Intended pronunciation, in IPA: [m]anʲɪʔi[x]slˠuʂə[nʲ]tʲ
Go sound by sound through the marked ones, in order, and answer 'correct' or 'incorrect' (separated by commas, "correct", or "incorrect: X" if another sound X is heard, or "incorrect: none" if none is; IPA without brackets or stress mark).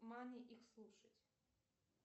correct, correct, incorrect: none